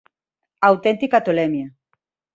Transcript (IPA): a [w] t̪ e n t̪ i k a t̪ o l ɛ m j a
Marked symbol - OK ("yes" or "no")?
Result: yes